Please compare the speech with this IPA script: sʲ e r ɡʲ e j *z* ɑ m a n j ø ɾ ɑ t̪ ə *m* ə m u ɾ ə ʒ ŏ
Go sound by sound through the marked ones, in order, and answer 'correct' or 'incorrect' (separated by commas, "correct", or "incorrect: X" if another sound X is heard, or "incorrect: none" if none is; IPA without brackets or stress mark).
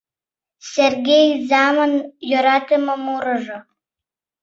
correct, correct